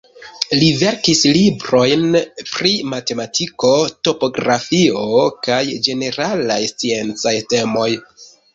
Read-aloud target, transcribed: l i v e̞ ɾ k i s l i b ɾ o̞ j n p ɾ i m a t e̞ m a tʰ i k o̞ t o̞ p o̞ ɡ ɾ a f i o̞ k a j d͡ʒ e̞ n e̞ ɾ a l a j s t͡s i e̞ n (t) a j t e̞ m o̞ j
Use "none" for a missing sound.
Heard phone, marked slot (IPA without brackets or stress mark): t͡s